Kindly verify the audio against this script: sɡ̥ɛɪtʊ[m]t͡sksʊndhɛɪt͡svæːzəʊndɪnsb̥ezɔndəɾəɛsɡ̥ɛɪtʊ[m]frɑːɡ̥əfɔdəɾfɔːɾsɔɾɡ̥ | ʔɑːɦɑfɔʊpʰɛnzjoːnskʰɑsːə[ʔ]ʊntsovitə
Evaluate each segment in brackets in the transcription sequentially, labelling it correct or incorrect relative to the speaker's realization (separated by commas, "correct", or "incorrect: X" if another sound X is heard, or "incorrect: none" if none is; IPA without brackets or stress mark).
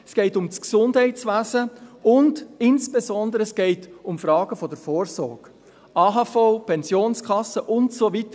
correct, correct, correct